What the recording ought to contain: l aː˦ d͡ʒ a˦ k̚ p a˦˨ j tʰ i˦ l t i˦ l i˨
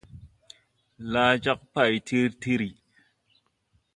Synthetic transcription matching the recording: l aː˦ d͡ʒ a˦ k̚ p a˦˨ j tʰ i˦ ɾ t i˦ ɾ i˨

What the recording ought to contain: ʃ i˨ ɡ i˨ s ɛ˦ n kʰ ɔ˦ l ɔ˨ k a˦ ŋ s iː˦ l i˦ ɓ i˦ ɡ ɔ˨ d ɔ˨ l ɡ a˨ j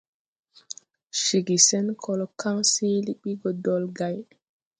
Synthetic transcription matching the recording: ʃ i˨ ɡ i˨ s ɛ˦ n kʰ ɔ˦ l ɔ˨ k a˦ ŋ s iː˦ l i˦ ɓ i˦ ɡ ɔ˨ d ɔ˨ l ɡ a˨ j

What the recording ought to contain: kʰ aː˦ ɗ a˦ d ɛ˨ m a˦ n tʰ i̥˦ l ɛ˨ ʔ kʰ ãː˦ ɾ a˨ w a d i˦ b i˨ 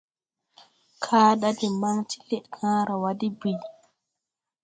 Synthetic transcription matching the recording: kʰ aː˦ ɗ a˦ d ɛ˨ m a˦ ŋ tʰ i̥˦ l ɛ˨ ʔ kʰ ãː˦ ɾ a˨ w a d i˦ b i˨

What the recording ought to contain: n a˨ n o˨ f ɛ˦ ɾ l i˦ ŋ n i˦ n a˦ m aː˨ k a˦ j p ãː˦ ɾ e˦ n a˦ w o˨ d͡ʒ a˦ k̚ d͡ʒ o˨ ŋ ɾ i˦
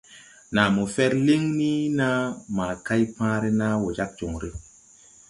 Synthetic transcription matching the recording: n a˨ m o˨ f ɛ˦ ɾ l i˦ ŋ n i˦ n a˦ m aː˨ k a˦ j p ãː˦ ɾ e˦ n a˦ w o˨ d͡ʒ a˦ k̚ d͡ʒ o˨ ŋ ɾ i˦

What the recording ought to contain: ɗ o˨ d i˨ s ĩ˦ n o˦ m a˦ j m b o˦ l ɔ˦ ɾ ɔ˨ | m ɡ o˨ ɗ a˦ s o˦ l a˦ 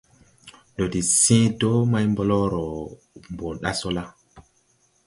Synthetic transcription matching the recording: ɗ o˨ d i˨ s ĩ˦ d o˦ m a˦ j m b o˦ l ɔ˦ ɾ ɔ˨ | m b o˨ ɗ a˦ s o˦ l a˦

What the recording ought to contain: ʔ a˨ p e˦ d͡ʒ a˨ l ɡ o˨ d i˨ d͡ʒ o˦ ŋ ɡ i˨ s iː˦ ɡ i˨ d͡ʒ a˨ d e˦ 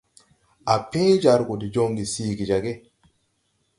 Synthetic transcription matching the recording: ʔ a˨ p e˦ d͡ʒ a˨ ɾ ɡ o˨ d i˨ d͡ʒ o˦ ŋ ɡ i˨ s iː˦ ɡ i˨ d͡ʒ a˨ ɡ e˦

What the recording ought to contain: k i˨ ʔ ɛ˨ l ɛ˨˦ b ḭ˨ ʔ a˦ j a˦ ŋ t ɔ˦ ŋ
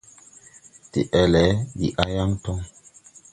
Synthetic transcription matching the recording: t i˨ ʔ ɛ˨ l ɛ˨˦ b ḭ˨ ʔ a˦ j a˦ ŋ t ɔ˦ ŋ

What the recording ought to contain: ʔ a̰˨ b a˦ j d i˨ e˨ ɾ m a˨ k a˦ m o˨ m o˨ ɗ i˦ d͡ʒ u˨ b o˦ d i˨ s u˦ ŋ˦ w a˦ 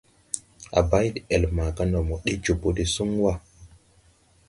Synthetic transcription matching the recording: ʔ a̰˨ b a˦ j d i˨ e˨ l m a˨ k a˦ n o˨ m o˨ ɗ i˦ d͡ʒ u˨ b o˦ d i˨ s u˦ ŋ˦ w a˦

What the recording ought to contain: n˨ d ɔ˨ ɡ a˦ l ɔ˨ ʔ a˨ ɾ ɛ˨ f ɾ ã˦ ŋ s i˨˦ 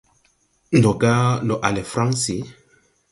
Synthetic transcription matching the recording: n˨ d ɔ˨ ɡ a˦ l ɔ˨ ʔ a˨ l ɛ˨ f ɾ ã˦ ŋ s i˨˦

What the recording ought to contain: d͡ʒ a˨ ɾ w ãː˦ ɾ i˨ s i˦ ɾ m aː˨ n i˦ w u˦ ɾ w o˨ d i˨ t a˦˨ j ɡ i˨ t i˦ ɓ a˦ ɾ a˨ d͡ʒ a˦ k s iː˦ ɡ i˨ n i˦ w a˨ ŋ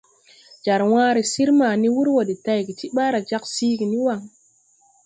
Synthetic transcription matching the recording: d͡ʒ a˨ ɾ w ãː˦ ɾ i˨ s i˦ ɾ m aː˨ n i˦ w u˦ ɾ w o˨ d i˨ t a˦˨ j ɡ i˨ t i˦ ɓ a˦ ɾ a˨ d͡ʒ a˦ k s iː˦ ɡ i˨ n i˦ w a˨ ŋ

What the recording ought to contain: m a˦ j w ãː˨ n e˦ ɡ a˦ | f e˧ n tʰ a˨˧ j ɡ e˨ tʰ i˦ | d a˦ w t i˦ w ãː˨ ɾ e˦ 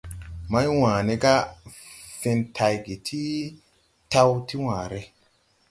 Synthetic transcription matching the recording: m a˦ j w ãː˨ n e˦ ɡ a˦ | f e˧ n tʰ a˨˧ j ɡ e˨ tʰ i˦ | t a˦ w t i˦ w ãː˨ ɾ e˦

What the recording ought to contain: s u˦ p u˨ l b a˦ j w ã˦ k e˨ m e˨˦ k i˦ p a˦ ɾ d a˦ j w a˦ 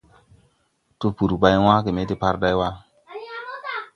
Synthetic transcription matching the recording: t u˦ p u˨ ɾ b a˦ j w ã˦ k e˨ m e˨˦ t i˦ p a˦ ɾ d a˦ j w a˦

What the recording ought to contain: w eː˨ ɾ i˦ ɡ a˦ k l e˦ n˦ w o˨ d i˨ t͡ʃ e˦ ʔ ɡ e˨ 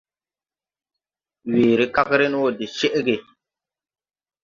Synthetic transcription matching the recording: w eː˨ ɾ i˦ k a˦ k ɾ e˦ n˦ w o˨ d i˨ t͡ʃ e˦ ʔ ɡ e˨

